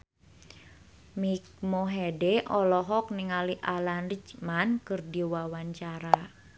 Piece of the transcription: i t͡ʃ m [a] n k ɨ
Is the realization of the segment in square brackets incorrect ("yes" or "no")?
no